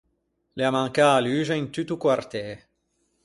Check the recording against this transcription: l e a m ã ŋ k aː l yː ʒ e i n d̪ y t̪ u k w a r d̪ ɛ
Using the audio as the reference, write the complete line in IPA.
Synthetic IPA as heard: l e a m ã ŋ k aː l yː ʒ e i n t̪ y t̪ u k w a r t̪ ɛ